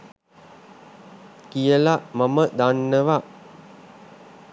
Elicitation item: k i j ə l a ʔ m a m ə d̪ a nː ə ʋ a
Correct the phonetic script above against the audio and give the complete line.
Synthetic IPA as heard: k i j ə l a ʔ m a m ə d̪ a nː ə ʋ a

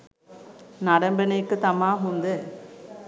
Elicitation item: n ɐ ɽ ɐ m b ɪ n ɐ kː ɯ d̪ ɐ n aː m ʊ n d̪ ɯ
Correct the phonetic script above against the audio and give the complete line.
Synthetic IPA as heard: n ɐ ɽ ɐ m b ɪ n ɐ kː ɯ t̪ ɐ m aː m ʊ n d̪ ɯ

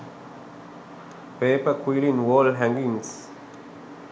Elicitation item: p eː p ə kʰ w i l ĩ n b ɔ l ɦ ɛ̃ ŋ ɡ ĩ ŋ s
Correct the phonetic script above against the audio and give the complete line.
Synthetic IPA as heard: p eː p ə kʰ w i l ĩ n w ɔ l ɦ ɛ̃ ŋ ɡ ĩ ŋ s

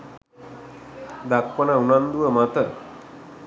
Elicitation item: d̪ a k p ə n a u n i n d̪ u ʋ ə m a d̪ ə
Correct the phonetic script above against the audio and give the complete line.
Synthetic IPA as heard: d̪ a k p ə n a u n a n d̪ u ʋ ə m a t̪ ə

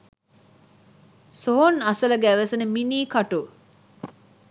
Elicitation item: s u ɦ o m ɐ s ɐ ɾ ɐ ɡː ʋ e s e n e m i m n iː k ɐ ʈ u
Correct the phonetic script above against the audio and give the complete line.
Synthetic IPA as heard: s o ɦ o n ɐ s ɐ l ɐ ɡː ʋ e s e n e m i n iː k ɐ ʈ u

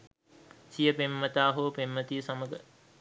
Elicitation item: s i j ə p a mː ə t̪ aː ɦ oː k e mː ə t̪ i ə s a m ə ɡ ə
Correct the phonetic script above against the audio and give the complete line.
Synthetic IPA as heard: s i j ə p e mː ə t̪ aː ɦ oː p e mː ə t̪ i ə s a m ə ɡ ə

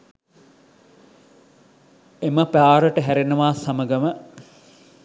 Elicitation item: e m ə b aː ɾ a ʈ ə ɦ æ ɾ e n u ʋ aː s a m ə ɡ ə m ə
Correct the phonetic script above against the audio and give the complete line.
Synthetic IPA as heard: e m ə p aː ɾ ə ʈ ə ɦ æ ɾ e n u ʋ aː s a m ə ɡ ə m ə

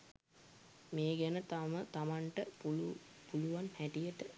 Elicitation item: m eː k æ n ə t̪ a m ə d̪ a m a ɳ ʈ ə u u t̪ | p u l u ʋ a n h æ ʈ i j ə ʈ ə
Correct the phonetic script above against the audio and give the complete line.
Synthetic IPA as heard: m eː ɡ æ n ə t̪ a m ə t̪ a m a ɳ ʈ ə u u | p u l u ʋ a n h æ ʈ i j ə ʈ ə

